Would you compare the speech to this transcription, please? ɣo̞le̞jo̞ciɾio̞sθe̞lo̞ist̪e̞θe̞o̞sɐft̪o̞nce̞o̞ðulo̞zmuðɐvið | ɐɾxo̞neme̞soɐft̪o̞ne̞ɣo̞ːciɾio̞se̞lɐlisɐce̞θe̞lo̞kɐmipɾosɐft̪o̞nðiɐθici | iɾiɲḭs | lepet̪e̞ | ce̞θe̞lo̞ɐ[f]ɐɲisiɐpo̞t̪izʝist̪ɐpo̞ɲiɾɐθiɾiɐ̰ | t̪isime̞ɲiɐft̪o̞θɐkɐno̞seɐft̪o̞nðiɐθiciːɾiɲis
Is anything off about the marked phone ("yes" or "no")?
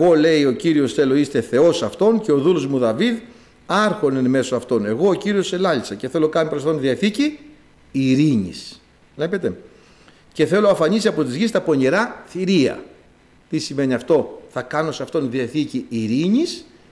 no